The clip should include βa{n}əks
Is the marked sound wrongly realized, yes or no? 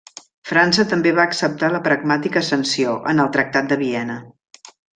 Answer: yes